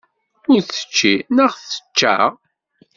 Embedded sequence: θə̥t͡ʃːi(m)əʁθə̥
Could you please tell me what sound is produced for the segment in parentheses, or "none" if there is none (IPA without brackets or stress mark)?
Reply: n